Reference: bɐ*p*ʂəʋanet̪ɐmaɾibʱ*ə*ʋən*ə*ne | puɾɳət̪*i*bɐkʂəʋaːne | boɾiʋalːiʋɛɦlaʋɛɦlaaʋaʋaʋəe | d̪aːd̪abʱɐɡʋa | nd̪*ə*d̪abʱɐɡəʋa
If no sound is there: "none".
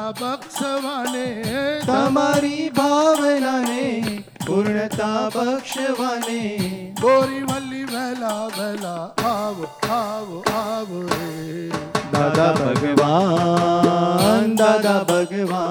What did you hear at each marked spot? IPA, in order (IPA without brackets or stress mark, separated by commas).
k, a, a, a, a